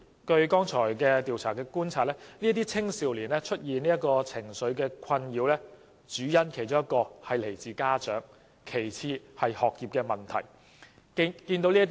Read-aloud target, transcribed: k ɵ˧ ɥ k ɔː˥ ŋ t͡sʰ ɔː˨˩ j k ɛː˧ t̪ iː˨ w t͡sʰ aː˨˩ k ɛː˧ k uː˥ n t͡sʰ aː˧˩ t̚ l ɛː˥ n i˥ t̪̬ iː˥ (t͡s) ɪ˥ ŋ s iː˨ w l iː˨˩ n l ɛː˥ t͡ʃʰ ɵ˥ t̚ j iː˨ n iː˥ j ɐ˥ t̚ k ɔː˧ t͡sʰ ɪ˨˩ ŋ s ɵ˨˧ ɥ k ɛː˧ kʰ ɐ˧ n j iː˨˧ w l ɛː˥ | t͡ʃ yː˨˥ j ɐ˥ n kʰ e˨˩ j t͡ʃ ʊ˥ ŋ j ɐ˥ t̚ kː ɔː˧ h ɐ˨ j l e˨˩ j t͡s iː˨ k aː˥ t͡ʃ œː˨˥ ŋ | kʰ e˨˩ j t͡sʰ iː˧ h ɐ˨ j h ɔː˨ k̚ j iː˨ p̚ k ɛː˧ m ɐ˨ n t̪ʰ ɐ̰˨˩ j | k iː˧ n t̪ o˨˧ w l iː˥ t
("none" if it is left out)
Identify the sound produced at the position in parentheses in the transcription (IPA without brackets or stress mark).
t͡sʰ